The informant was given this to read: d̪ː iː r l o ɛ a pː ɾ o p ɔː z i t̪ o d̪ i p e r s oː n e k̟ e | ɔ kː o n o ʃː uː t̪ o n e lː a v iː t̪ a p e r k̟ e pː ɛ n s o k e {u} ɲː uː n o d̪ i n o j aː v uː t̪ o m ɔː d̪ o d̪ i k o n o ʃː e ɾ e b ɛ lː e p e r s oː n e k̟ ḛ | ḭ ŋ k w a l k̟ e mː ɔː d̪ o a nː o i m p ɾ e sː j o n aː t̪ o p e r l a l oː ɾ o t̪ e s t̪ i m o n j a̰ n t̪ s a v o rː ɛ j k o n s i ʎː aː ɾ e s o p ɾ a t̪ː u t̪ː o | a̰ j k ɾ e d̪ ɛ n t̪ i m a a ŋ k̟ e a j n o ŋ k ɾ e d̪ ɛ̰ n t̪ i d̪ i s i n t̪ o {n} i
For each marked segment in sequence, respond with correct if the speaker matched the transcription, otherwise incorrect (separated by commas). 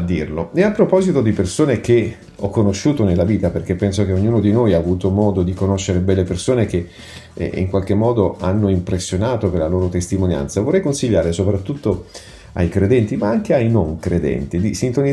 incorrect, correct